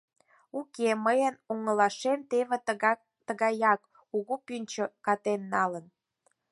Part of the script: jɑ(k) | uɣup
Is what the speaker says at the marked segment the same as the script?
yes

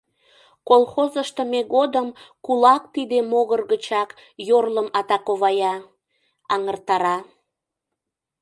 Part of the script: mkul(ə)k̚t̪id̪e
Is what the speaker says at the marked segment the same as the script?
no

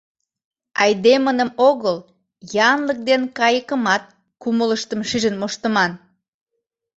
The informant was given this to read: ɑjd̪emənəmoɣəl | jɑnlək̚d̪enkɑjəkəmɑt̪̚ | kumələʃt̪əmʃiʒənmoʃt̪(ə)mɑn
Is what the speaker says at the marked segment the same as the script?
yes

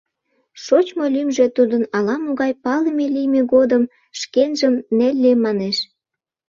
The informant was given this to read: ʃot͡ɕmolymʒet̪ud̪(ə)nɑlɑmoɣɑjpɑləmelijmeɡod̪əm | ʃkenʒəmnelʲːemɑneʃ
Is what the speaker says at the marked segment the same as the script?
yes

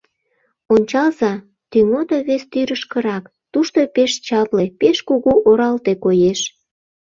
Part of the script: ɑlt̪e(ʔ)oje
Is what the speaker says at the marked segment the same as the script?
no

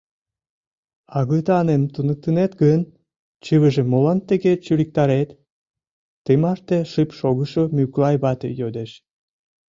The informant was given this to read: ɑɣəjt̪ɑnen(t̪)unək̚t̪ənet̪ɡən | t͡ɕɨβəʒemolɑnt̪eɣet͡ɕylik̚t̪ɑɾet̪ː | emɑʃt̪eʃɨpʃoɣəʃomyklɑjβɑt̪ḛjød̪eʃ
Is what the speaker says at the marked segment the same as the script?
yes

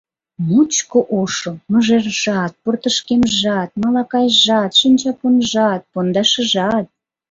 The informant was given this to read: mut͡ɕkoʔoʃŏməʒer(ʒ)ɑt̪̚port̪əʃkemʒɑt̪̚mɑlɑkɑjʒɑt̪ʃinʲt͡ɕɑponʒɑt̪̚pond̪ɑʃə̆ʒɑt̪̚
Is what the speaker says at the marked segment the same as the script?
yes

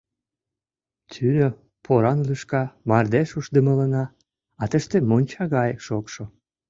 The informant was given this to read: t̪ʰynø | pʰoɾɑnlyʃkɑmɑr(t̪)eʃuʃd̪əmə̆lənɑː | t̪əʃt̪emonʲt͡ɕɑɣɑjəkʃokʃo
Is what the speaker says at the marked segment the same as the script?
no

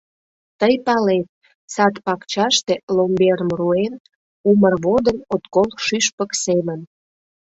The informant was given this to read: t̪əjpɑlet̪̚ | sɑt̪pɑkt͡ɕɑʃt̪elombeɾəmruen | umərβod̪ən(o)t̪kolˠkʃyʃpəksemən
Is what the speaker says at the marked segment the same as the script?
yes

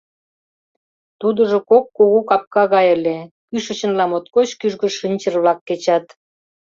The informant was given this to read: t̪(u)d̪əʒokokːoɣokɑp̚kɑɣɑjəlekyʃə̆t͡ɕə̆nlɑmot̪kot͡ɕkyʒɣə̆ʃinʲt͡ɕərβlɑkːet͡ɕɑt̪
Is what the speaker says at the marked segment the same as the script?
yes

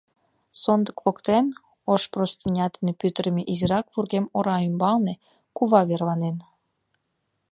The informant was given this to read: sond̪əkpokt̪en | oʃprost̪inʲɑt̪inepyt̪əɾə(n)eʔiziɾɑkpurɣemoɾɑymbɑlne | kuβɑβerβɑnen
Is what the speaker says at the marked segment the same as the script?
no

